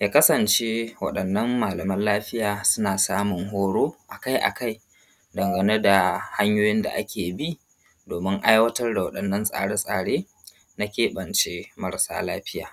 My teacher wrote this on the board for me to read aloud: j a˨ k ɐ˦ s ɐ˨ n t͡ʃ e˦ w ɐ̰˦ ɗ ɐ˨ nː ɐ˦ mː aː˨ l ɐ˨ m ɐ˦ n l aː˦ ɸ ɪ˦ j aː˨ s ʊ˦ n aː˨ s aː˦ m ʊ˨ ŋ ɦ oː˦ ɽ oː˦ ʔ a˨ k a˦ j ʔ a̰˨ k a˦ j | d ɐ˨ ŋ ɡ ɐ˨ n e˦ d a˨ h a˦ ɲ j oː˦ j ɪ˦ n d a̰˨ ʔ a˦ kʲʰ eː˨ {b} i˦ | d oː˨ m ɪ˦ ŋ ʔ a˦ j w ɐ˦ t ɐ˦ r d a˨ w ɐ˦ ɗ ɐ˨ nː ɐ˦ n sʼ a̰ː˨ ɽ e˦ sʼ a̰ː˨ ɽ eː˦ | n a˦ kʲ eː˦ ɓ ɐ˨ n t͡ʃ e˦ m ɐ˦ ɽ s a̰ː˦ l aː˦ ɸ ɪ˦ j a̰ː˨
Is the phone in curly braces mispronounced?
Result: no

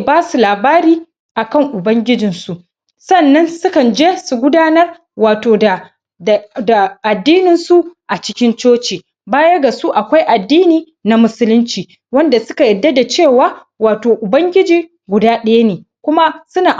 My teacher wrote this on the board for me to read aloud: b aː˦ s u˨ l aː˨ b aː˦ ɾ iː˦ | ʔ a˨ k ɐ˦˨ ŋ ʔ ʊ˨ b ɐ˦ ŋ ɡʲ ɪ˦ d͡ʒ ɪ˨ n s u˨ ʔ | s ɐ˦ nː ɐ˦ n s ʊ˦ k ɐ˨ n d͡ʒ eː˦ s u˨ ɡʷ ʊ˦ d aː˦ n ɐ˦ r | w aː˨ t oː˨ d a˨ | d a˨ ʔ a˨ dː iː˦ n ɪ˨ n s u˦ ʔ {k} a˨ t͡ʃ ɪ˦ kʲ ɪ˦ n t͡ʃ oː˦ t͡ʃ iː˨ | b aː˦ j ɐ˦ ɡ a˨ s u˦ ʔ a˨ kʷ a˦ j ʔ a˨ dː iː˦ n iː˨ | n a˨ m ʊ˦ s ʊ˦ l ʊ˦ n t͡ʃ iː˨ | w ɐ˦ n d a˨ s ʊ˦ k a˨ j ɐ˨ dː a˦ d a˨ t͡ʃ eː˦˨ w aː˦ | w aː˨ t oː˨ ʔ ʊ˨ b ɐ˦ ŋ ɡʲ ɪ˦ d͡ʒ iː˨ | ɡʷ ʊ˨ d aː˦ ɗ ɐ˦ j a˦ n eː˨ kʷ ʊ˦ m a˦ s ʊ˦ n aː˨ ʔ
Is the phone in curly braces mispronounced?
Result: yes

